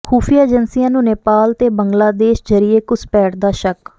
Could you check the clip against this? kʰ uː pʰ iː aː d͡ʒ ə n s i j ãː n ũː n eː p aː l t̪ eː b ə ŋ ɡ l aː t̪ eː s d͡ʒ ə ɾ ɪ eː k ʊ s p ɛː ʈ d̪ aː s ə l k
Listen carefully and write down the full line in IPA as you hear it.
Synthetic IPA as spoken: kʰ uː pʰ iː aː d͡ʒ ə n s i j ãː n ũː n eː p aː l t̪ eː b ə ŋ ɡ l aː d̪ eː ʃ d͡ʒ ə ɾ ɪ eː k ʊ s p ɛː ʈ d̪ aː ʃ ə k